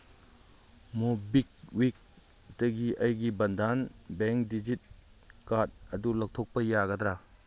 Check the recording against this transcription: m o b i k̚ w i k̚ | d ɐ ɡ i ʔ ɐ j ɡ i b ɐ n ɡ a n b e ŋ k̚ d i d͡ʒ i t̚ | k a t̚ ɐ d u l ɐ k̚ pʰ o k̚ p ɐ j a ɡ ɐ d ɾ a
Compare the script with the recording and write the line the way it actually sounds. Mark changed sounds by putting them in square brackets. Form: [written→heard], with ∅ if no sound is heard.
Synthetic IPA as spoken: m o b i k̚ w i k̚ | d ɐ ɡ i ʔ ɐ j ɡ i b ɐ n [ɡ→d] a n b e ŋ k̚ d i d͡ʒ i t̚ | k a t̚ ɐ d u l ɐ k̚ [pʰ→tʰ] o k̚ p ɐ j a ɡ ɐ d ɾ a